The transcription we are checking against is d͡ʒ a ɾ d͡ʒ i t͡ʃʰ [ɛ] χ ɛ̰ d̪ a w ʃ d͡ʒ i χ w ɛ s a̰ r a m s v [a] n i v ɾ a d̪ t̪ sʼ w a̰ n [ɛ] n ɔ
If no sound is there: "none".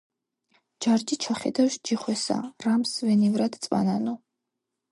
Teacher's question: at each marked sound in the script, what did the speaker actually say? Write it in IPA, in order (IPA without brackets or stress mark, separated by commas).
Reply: a, ɛ, a